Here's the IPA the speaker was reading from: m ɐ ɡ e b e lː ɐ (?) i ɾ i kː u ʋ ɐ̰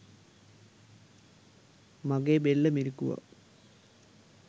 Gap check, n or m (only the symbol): m